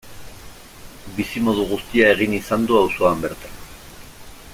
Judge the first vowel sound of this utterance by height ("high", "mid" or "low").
high